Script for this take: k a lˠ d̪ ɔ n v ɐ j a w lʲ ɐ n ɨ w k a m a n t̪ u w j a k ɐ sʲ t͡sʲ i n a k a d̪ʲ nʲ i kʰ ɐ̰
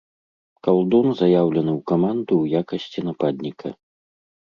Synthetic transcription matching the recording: k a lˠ d̪ ɔ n z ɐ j a w lʲ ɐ n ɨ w k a m a n d̪ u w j a k ɐ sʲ t͡sʲ i n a p a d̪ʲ nʲ i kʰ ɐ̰